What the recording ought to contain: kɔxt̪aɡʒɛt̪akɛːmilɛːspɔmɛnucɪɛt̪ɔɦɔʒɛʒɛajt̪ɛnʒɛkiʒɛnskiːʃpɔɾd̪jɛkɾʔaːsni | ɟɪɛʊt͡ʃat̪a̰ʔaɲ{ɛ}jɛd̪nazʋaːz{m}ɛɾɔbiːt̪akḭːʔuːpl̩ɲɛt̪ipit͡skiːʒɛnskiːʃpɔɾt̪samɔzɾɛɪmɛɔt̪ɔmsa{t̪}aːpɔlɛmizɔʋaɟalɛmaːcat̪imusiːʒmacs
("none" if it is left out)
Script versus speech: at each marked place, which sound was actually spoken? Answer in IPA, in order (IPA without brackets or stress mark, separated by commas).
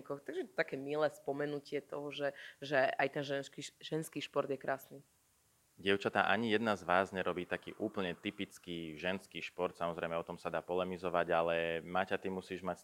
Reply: i, ɲ, d̪